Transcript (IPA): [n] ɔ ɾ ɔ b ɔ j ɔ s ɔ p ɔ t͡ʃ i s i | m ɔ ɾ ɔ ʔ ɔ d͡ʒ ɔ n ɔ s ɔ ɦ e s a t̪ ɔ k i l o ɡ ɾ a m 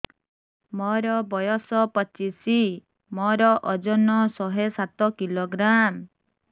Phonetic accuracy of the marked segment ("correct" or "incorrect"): incorrect